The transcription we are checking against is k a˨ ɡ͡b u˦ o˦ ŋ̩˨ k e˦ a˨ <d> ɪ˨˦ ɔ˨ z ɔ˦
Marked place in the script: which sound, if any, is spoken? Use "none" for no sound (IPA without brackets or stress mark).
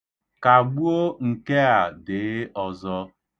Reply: d